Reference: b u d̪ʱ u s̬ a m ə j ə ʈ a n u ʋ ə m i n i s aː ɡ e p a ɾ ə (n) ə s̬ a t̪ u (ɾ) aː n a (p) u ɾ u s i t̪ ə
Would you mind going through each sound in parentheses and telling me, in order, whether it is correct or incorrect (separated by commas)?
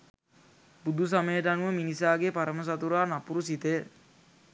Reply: incorrect, correct, correct